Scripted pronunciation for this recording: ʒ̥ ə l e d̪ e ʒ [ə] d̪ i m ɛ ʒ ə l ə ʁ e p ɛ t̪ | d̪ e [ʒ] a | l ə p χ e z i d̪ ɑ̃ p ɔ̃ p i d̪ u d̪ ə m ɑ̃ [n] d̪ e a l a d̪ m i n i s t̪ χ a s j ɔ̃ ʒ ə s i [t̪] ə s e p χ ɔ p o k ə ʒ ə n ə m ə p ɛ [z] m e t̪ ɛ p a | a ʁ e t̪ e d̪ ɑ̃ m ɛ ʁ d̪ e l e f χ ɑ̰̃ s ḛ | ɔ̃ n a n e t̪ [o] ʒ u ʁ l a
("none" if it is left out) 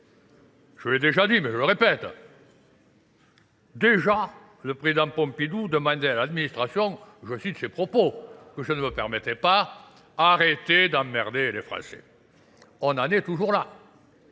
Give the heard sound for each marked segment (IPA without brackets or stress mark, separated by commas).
a, ʒ, n, t̪, ʁ, u